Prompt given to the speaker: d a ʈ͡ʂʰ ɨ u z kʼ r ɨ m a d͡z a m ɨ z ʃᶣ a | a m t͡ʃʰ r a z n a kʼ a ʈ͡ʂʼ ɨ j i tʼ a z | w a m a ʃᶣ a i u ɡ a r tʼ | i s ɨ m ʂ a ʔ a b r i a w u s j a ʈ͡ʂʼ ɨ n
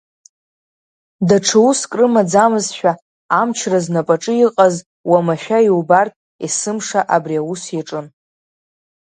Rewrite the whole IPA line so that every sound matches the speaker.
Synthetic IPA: d a ʈ͡ʂʰ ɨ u s kʼ r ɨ m a d͡z a m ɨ z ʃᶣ a | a m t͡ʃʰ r a z n a pʼ a ʈ͡ʂʼ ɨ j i qʼ a z | w a m a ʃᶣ a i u b a r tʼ | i s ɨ m ʂ a ʔ a b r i a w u s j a ʈ͡ʂʼ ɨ n